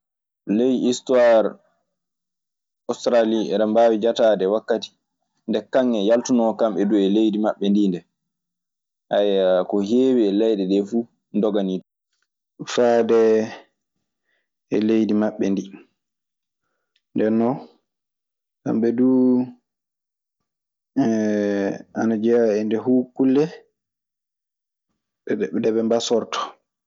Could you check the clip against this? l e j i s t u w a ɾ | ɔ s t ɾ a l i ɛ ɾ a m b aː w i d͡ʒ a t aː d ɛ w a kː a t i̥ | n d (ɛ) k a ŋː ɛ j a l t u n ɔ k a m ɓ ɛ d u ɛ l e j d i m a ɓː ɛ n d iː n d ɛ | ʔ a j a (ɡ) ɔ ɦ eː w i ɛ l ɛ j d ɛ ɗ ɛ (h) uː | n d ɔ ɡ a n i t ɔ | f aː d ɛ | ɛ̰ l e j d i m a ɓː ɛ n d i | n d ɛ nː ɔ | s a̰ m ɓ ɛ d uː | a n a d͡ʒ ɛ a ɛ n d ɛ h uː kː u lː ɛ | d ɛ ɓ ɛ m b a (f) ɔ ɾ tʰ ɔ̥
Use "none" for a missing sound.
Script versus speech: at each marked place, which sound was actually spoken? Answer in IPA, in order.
ɛ, k, f, s

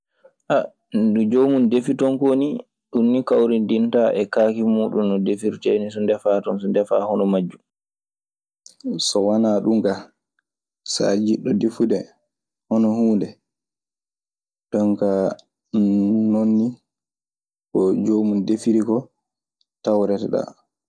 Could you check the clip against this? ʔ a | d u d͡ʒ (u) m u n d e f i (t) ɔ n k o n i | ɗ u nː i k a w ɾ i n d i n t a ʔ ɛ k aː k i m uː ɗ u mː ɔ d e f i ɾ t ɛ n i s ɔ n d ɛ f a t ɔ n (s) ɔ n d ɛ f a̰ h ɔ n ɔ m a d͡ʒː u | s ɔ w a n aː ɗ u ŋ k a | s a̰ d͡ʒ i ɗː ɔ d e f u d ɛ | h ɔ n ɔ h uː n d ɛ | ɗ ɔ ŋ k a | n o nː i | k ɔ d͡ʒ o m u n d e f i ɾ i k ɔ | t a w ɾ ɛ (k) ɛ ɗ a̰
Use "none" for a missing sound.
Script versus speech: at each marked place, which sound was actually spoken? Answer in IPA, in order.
o, t, s, t

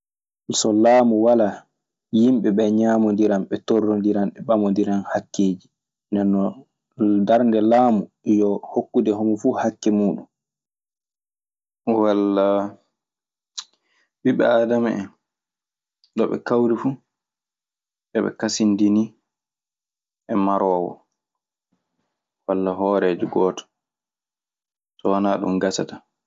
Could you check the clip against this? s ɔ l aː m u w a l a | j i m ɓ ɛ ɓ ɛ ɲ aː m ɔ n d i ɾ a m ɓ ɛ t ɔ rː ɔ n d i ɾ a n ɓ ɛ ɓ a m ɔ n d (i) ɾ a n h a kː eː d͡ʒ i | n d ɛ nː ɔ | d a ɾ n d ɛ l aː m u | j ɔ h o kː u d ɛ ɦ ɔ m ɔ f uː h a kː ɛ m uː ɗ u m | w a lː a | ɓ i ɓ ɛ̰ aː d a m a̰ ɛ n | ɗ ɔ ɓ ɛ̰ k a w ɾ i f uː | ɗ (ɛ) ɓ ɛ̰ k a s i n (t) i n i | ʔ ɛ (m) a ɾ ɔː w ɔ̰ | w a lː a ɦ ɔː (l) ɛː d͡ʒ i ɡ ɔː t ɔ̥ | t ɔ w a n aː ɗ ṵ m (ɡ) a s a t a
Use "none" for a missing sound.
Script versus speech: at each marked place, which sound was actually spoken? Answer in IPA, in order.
i, ɛ, d, m, ɾ, ɡ

